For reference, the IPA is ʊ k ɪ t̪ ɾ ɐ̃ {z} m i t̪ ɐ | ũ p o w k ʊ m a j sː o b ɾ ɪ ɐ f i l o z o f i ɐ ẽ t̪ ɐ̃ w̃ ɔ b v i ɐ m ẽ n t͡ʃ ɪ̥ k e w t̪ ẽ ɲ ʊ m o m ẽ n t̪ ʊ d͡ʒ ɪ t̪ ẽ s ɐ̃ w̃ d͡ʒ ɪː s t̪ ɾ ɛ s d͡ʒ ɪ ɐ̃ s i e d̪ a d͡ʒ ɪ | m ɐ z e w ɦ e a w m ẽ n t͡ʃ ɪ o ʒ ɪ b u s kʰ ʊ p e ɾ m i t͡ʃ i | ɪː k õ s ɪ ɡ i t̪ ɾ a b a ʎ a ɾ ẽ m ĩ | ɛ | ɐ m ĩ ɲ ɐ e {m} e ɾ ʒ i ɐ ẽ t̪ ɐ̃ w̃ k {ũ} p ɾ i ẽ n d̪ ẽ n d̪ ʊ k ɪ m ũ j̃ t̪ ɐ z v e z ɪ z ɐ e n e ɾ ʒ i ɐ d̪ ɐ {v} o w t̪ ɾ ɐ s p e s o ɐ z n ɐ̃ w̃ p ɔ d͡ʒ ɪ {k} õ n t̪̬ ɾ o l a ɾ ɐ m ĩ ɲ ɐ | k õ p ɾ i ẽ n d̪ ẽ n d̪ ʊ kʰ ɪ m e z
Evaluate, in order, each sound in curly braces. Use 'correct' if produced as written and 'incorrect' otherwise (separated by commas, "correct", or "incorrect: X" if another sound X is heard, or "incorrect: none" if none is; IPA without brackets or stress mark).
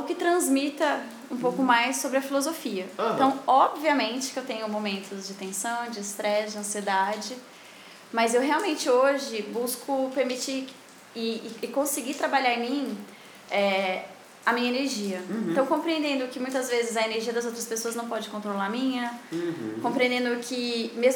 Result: correct, incorrect: n, incorrect: õ, incorrect: z, correct